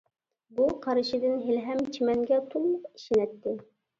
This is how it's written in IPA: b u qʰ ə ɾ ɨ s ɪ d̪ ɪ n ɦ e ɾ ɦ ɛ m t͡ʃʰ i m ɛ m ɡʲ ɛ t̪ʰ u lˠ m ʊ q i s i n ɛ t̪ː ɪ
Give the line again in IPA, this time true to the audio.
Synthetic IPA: b u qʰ ɑ ɾ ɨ ʃ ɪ d̪ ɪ n ɦ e l ɦ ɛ m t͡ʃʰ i m ɛ ŋ ɡʲ ɛ t̪ʰ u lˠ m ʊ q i ʃ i n ɛ t̪ː ɪ